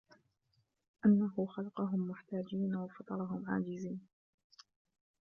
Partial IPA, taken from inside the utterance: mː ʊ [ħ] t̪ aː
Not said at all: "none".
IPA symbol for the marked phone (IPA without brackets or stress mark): ħ